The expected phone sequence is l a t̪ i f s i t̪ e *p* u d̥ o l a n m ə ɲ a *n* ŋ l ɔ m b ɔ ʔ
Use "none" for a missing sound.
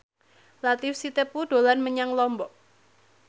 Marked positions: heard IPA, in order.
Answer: p, none

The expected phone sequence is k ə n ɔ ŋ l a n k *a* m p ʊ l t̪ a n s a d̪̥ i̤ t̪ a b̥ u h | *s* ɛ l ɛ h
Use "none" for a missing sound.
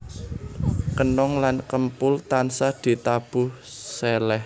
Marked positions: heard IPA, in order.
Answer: ə, s

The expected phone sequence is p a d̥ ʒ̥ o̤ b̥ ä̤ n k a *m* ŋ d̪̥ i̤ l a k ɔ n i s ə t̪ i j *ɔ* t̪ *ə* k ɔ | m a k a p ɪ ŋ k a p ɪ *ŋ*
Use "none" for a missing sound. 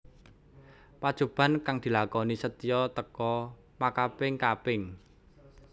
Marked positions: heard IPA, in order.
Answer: none, ɔ, ə, ŋ

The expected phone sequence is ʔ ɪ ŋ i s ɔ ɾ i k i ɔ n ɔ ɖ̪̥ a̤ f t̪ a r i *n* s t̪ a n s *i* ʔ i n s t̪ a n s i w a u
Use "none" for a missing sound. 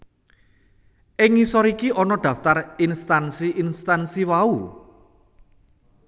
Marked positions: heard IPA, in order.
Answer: n, i

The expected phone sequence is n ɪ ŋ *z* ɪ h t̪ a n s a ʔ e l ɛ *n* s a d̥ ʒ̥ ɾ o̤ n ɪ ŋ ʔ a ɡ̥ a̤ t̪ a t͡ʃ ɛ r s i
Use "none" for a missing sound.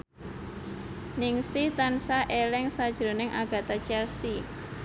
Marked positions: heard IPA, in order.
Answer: s, ŋ

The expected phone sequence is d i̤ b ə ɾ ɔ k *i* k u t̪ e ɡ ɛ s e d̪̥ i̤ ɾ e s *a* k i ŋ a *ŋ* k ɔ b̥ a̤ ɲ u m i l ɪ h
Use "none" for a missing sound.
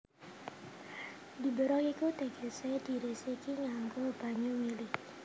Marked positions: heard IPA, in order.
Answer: i, i, ŋ

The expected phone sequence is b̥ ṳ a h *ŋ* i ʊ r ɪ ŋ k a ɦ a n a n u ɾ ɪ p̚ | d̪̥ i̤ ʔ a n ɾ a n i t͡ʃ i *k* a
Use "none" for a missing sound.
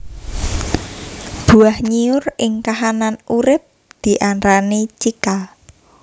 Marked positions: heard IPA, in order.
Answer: ɲ, k

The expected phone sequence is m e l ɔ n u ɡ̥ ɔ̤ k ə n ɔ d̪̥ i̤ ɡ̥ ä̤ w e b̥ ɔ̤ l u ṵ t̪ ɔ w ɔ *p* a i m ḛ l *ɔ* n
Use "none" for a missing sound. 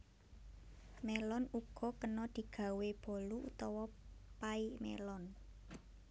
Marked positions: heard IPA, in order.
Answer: p, ɔ

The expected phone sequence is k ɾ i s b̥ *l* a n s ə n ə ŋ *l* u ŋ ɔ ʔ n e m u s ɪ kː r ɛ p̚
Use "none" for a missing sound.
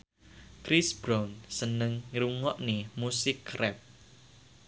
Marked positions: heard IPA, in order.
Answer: ɾ, ɾ

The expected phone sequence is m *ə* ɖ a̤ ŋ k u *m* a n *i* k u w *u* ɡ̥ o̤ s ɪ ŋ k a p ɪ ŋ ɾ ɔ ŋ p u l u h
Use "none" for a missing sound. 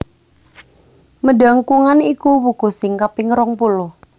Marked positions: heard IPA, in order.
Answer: ə, ŋ, i, u

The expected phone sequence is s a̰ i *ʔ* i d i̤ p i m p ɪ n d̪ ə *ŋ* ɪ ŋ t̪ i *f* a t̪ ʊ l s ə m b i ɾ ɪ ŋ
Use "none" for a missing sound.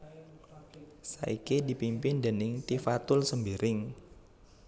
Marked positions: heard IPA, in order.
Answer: k, n, f

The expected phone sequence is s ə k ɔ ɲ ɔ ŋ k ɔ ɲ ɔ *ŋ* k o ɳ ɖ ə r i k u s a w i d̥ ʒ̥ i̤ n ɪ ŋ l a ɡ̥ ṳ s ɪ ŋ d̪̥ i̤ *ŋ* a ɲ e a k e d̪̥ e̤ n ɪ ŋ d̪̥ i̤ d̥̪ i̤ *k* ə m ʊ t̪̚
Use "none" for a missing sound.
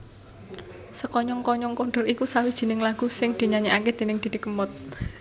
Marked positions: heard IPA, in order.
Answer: ŋ, ɲ, k

